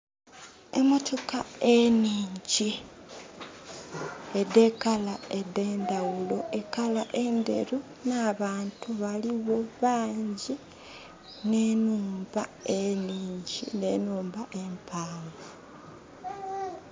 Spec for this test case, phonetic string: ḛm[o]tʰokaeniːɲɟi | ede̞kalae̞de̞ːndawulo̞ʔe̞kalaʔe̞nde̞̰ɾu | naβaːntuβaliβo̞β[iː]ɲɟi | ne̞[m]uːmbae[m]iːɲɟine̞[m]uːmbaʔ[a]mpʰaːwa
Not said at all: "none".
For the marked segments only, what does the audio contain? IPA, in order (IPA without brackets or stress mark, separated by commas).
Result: o, aː, n, n, n, e